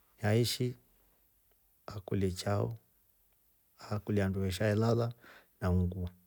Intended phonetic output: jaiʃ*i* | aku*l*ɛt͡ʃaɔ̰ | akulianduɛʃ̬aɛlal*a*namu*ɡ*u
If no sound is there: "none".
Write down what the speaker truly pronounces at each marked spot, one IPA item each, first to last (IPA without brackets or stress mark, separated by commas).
i, l, a, ɡ